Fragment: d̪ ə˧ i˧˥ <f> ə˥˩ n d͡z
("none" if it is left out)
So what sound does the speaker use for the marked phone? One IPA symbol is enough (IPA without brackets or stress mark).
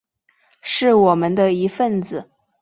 f